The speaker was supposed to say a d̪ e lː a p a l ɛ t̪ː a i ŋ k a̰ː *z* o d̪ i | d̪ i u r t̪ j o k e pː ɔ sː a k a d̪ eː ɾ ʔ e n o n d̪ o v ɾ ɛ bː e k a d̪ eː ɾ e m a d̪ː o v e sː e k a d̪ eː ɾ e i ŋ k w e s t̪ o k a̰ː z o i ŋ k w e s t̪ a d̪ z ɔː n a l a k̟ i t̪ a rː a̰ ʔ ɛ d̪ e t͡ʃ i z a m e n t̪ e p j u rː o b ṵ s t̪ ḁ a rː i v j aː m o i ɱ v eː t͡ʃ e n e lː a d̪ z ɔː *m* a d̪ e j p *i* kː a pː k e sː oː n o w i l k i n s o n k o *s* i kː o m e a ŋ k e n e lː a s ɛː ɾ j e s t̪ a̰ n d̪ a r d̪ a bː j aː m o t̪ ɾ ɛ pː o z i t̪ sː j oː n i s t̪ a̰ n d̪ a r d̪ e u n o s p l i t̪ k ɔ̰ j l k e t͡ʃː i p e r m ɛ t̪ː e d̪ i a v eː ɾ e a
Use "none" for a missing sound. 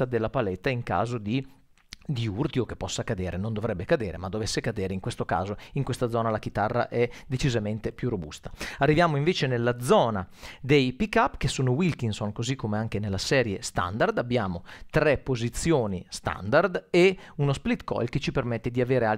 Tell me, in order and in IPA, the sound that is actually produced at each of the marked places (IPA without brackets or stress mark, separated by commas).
z, n, i, z